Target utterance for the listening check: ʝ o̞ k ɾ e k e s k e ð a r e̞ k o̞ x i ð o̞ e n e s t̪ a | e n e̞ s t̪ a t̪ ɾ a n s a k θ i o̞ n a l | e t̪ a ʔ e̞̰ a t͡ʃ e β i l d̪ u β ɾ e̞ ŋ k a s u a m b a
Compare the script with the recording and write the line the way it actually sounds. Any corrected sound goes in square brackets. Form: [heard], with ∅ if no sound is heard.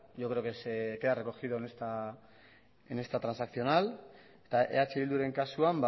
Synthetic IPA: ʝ o̞ k ɾ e k e s k e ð a r e̞ k o̞ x i ð o̞ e n e s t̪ a | e n e̞ s t̪ a t̪ ɾ a n s a k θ i o̞ n a l | e t̪ a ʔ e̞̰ a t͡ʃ e β i l d̪ u [∅] ɾ e̞ ŋ k a s u a m b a